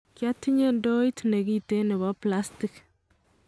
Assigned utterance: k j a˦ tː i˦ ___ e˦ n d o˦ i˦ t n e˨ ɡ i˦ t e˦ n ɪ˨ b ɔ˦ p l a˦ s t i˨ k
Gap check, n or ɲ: ɲ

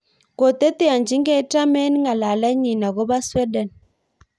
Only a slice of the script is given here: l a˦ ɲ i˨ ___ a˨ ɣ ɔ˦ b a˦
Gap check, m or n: n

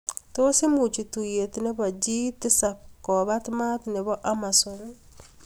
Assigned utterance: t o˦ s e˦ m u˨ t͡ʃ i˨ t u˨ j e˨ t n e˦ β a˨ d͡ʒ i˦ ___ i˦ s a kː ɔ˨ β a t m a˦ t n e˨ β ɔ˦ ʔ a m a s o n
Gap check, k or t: t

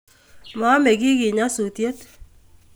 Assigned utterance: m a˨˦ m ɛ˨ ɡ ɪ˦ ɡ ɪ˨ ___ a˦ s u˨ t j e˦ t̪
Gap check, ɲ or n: ɲ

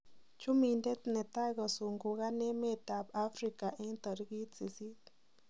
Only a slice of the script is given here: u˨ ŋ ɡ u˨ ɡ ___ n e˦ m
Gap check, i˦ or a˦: a˦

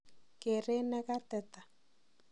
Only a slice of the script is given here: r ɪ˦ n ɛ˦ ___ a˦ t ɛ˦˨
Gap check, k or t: k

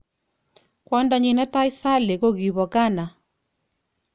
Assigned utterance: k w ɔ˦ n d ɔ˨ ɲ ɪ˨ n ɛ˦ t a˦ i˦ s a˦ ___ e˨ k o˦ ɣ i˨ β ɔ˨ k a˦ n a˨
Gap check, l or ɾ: l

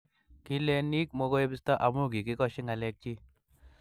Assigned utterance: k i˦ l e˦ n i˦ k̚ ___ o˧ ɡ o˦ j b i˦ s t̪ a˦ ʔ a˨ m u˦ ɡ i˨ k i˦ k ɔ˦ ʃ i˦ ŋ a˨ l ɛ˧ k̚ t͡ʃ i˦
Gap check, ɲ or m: m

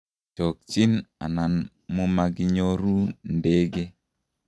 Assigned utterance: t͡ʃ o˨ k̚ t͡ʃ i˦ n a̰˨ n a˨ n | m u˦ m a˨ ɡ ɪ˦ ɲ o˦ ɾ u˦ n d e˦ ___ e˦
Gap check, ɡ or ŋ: ɡ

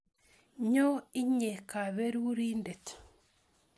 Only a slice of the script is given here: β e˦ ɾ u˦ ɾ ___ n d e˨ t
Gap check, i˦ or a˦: i˦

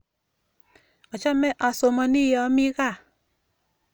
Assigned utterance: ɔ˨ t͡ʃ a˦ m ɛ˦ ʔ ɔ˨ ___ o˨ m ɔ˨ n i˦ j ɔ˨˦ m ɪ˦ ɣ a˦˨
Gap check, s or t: s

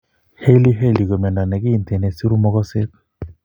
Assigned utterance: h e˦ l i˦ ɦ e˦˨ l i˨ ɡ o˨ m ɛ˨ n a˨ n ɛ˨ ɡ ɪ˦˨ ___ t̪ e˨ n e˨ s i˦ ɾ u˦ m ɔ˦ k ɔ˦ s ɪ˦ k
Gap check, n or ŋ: n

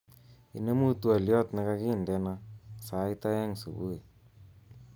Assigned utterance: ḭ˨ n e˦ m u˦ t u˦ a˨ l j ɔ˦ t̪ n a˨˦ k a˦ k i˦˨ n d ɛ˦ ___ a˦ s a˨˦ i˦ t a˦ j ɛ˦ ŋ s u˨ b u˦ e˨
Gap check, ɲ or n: n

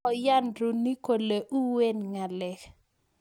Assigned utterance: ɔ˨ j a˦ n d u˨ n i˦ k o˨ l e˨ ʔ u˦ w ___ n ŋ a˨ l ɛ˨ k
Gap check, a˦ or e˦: e˦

